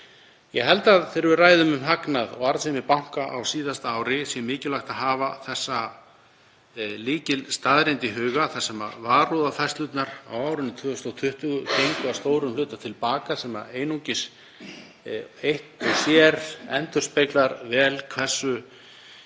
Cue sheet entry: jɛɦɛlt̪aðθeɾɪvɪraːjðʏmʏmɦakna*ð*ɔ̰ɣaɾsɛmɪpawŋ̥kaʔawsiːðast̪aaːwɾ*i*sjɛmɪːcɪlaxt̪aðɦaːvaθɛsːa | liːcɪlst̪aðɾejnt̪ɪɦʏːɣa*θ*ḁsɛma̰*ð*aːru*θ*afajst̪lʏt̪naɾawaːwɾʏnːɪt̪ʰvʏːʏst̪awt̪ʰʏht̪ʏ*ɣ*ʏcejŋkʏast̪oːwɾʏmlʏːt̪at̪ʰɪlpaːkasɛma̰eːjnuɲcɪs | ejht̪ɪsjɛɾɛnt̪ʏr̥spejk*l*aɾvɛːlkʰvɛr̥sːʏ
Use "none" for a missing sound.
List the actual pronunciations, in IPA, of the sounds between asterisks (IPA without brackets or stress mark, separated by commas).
ð, ɪ, θ, v, ð, ɣ, l